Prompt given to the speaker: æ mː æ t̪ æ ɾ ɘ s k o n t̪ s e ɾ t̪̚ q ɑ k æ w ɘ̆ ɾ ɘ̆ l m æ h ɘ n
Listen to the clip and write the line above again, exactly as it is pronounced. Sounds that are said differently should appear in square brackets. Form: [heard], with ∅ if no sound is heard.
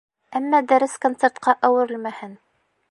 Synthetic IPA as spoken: æ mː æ [d̪] æ ɾ ɘ s k o n t̪ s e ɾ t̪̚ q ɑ [ʔ] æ w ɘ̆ ɾ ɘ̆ l m æ h ɘ n